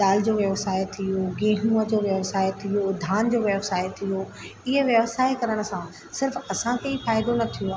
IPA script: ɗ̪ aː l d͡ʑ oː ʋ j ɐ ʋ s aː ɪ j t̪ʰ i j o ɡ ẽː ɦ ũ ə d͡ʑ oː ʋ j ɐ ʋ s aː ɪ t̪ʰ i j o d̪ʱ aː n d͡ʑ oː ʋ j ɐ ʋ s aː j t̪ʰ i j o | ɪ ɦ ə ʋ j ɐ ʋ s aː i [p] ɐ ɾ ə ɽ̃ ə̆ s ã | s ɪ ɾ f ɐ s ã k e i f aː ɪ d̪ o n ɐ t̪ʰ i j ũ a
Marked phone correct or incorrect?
incorrect: k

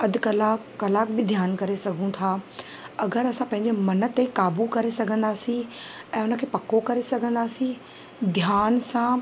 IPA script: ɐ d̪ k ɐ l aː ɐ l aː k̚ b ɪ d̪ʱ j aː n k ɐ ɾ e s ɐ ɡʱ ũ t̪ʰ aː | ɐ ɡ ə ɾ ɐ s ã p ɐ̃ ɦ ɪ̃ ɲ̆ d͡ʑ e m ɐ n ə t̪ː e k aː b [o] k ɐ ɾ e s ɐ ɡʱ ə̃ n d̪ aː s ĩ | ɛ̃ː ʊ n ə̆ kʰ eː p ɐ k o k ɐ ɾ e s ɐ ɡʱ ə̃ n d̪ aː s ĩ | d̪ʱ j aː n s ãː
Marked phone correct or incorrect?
incorrect: u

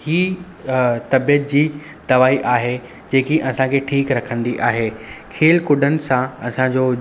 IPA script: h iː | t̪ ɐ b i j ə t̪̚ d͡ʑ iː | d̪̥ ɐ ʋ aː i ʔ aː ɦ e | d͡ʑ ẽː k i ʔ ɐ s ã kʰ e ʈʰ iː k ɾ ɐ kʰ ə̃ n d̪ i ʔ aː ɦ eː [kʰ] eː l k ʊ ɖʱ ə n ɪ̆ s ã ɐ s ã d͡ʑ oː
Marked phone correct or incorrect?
correct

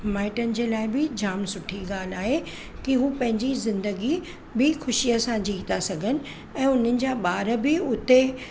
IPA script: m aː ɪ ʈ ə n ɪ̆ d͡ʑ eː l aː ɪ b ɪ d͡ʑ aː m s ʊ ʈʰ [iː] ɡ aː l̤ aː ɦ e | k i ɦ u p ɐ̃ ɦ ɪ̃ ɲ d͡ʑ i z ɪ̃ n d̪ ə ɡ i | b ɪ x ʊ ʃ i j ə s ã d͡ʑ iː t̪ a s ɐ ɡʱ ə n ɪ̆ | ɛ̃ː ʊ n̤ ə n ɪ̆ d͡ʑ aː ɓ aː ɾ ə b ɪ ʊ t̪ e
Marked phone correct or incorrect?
incorrect: i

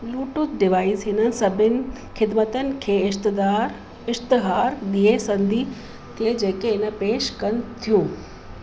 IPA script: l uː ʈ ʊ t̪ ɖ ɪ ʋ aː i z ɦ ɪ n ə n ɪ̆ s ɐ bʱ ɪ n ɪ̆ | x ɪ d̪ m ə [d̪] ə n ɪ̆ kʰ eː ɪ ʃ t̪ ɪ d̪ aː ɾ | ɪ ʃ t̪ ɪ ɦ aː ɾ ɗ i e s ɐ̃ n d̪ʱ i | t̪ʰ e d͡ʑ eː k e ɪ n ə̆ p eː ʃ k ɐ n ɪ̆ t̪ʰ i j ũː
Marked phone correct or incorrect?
incorrect: t̪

